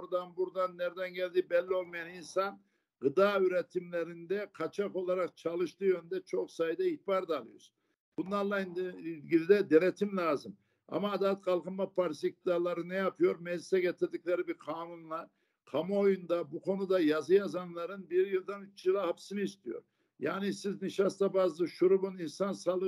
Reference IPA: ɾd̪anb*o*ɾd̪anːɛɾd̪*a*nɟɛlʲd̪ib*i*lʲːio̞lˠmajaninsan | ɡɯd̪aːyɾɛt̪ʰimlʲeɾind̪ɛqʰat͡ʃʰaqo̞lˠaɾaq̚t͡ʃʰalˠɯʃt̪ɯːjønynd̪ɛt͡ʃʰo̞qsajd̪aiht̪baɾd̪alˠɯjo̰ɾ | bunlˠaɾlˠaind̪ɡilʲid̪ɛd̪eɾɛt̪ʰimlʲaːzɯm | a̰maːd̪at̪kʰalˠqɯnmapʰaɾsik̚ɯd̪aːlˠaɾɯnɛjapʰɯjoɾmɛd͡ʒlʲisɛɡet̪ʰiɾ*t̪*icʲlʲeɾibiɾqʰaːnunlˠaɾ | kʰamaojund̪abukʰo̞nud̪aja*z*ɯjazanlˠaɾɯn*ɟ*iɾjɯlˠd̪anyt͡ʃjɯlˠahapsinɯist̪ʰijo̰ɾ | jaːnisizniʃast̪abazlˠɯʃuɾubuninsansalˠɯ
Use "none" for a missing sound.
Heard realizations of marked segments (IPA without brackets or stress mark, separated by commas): u, ɛ, ɛ, d̪, z, b